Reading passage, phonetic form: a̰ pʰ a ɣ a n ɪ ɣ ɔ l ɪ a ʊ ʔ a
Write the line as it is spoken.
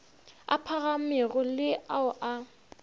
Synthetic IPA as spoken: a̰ pʰ a ɣ a m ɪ ɣ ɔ l ɪ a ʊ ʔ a

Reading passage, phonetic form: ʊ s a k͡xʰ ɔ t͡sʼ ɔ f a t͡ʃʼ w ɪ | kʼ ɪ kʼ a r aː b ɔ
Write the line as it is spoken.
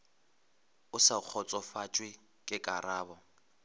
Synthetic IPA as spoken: ʊ s a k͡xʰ ɔ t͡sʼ ɔ f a t͡ʃʼ w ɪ | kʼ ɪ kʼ a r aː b ɔ

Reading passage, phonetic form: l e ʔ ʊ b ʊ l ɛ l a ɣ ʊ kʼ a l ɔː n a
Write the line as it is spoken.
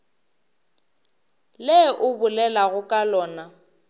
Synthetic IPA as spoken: l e ʔ ʊ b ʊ l ɛ l a ɣ ʊ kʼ a l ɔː n a

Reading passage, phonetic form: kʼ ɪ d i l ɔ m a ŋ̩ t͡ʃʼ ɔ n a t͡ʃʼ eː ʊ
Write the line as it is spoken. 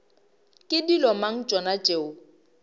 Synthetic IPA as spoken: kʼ ɪ d i l ɔ m a ŋ̩ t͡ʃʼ ɔ n a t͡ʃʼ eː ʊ

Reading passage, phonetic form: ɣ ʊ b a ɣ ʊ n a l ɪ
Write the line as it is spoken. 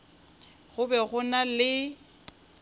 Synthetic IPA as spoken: ɣ ʊ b ɛ ɣ ʊ n a l ɪ

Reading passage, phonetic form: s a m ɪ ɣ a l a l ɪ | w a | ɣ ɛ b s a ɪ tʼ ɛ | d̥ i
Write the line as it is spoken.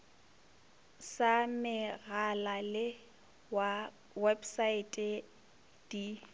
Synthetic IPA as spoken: s a m ɪ ɣ a l a l ɪ | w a | w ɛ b s a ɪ tʼ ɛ | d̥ i

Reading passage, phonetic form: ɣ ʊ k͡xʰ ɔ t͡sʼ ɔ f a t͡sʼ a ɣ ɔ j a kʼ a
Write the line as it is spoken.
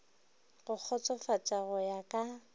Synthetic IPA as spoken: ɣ ʊ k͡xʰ ɔ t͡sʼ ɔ f a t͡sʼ a ɣ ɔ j a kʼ a

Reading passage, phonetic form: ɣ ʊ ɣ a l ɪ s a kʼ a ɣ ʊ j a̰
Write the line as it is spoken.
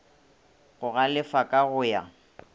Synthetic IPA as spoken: ɣ ʊ ɣ a l ɪ f a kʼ a ɣ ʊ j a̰

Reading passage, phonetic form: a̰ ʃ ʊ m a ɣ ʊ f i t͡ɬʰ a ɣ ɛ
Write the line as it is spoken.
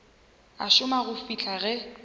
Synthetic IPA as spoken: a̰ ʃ ʊ m a ɣ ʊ f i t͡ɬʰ a ɣ ɛ

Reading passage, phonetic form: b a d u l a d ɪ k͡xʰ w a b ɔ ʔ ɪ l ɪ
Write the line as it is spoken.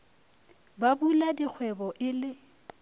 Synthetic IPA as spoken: b a b u l a d i k͡xʰ w ɛ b ɔ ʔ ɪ l ɪ

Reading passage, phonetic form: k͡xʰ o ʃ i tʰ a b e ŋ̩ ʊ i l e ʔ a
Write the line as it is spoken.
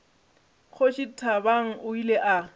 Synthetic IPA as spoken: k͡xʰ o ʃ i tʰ a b a ŋ̩ ʊ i l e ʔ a

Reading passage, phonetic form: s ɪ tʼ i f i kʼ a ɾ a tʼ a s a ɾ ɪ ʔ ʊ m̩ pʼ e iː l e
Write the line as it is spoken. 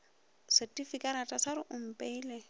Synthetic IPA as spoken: s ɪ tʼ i f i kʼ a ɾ a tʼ a s a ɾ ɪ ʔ ʊ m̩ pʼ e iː l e

